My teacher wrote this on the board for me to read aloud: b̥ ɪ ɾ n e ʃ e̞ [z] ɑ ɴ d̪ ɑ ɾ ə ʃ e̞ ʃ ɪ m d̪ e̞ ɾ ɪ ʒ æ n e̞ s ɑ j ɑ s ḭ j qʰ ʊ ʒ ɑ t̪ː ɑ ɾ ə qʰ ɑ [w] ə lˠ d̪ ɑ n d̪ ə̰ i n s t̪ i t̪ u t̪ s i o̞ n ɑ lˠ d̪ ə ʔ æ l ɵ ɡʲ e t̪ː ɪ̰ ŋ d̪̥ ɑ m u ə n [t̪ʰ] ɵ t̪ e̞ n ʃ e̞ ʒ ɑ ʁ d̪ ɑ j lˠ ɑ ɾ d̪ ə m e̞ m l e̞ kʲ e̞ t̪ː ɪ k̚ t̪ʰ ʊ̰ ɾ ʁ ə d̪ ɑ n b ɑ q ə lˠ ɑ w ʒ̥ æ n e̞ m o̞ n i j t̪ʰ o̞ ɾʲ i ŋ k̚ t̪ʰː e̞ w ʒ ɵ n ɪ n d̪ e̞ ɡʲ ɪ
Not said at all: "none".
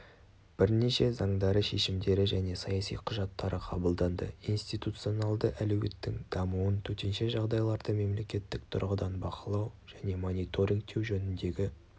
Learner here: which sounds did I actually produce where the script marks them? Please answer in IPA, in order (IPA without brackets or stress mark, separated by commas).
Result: z, b, t̪ʰ